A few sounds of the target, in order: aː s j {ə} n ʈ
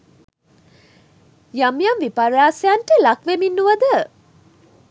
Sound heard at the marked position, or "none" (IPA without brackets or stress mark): a